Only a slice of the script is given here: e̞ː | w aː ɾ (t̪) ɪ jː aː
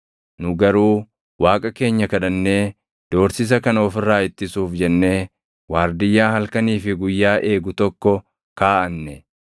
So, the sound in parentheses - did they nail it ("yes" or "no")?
no